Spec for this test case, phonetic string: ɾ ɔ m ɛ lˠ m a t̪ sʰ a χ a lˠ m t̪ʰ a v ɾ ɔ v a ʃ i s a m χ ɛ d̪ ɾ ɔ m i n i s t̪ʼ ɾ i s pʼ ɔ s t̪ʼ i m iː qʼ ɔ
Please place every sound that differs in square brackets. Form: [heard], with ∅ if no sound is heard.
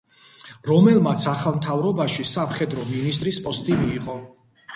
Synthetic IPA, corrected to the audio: ɾ ɔ m ɛ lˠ m a t̪ sʰ a χ a lˠ m t̪ʰ a v ɾ ɔ [b] a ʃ i s a m χ ɛ d̪ ɾ ɔ m i n i s t̪ʼ ɾ i s pʼ ɔ s t̪ʼ i m iː qʼ ɔ